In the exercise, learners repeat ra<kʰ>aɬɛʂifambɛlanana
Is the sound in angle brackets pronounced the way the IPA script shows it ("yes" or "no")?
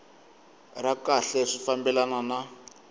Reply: no